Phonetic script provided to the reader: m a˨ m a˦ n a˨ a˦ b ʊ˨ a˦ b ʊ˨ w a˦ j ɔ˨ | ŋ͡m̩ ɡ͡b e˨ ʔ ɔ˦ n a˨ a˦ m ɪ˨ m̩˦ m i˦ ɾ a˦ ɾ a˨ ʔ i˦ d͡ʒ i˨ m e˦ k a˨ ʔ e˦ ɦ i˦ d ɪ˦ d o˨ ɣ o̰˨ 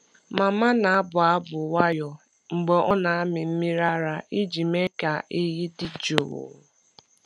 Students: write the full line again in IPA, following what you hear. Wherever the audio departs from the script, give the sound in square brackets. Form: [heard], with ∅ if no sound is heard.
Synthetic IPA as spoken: m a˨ m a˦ n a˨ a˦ b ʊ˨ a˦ b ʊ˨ w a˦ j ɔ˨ | ŋ͡m̩ ɡ͡b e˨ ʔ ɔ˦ n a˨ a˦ m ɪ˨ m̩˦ m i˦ ɾ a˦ ɾ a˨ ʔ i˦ d͡ʒ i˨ m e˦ k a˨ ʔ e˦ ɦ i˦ d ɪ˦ [d͡ʒ] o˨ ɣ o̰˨